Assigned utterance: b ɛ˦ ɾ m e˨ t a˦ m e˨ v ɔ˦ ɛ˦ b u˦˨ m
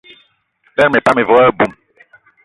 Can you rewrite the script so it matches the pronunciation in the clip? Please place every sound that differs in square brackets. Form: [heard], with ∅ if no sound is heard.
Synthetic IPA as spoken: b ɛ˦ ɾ m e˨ [p] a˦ m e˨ v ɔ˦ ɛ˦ b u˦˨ m